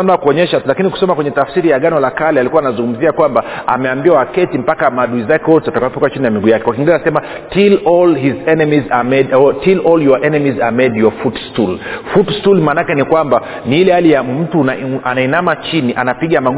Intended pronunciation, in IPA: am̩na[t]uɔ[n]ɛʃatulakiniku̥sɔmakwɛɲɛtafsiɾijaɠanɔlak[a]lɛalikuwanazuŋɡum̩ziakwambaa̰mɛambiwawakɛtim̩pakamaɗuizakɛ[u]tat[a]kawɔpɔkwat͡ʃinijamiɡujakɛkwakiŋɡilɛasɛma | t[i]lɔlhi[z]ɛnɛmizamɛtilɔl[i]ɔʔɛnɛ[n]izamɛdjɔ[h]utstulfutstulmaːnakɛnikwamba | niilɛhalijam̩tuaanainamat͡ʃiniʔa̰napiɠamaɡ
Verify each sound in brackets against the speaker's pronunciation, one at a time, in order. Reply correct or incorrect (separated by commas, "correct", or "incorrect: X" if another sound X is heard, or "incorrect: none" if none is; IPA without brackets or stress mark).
incorrect: k, incorrect: ɲ, correct, incorrect: ɔ, correct, correct, correct, incorrect: j, incorrect: m, incorrect: f